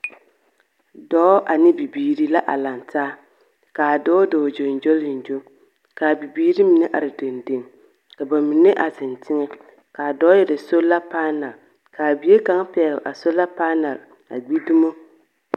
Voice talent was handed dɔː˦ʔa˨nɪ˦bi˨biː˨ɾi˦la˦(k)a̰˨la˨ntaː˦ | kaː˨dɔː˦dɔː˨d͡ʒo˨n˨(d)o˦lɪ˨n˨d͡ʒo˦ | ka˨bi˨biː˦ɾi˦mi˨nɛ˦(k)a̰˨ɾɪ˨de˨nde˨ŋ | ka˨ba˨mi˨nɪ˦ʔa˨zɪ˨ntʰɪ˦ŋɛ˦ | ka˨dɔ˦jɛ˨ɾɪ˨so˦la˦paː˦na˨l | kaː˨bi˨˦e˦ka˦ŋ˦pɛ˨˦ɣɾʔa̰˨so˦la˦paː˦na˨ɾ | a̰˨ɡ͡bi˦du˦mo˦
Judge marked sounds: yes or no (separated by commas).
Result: no, no, no